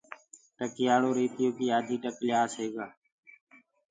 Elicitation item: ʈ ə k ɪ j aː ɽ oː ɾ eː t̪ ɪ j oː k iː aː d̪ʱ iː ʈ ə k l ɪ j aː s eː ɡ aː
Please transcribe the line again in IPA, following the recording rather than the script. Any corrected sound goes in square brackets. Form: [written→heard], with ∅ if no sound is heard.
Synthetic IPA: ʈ ə k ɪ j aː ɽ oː ɾ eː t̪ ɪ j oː k iː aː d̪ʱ iː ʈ ə k l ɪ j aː s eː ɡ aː